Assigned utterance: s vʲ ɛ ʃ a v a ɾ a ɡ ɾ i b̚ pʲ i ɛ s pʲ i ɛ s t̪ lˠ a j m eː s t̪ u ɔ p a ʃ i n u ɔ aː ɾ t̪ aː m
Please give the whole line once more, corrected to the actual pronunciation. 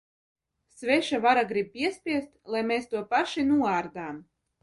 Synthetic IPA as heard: s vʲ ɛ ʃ a v a ɾ a ɡ ɾ i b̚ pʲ i ɛ s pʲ i ɛ s t̪ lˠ a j m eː s t̪ u ɔ p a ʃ i n u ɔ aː ɾ d̪ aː m